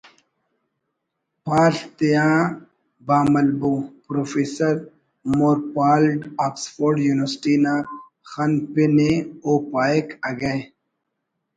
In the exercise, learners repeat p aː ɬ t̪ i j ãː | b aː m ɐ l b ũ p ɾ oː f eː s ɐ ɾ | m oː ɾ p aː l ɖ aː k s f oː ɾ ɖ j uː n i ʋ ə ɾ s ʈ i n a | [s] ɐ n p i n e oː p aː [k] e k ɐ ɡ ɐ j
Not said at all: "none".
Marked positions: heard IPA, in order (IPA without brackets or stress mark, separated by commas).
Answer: x, none